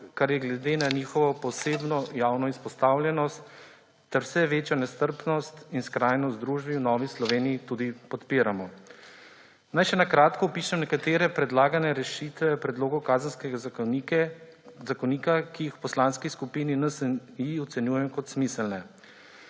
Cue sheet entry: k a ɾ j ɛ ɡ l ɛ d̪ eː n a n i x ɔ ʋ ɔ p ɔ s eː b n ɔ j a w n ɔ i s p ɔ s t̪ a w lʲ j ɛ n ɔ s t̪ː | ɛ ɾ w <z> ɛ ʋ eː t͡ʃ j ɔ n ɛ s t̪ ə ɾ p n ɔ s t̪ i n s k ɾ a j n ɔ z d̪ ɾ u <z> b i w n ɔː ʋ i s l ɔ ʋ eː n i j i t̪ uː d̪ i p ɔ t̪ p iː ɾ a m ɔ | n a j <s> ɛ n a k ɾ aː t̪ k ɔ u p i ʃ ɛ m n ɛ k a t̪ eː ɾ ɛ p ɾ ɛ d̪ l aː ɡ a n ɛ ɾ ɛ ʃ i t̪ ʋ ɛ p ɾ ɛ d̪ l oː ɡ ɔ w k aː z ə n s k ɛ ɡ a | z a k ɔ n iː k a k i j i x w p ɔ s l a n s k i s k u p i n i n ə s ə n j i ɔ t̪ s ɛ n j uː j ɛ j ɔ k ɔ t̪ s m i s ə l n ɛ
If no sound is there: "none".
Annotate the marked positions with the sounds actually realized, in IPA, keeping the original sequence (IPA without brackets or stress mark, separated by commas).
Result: s, ʒ, ʃ